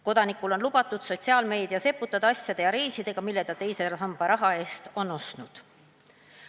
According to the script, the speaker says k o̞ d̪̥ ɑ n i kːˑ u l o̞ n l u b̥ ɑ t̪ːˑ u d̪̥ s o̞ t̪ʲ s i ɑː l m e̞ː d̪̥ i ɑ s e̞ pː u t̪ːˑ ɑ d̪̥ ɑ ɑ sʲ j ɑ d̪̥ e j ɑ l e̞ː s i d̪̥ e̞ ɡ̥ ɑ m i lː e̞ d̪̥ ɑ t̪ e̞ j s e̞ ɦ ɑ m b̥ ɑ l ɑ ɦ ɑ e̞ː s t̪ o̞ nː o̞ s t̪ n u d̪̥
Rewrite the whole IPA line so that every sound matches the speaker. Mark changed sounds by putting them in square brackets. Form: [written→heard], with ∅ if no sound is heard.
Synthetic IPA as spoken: k o̞ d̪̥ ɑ n i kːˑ u l o̞ n l u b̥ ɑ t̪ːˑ u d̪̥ s o̞ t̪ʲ s i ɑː l m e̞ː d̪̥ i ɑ s e̞ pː u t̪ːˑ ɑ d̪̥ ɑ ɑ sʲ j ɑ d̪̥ e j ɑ [l→ɾ] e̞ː s i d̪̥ e̞ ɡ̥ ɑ m i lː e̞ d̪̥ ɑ t̪ e̞ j s e̞ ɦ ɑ m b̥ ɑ [l→ɾ] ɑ ɦ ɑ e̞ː s t̪ o̞ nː o̞ s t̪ n u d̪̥